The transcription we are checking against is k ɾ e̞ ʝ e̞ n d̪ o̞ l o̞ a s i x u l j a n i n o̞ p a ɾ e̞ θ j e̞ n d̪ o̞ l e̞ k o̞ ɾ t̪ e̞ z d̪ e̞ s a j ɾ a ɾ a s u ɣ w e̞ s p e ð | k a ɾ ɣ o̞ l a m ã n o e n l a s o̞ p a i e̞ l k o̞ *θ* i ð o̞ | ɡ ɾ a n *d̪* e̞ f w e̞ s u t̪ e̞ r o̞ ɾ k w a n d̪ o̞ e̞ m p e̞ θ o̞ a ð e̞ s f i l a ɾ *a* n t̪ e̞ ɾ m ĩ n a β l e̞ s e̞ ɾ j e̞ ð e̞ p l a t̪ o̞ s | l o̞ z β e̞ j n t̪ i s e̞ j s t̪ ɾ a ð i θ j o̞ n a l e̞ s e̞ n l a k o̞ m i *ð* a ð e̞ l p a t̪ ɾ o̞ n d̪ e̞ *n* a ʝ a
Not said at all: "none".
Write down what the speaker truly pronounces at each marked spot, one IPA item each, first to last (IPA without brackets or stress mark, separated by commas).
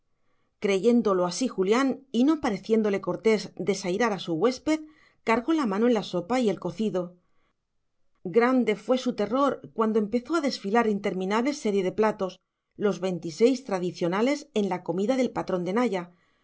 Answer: θ, d̪, i, ð, n